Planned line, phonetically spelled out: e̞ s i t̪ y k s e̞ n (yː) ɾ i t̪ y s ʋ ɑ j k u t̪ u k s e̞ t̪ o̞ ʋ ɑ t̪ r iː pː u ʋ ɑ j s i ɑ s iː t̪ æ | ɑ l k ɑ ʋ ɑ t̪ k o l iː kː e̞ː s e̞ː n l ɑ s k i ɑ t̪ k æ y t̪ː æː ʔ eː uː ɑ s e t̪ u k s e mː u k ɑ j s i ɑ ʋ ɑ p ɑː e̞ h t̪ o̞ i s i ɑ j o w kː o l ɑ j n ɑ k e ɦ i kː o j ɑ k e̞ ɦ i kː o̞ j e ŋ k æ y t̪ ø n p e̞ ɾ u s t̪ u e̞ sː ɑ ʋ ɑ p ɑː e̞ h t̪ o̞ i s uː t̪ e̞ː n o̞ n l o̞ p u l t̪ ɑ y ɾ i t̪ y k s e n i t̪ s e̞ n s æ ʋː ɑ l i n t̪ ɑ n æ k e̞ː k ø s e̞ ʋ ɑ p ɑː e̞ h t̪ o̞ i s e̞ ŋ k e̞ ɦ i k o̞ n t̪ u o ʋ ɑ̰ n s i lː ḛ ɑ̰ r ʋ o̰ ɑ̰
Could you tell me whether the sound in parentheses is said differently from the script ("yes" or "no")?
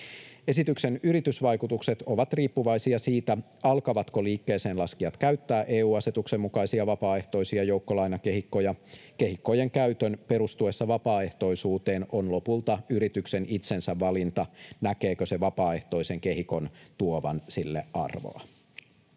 yes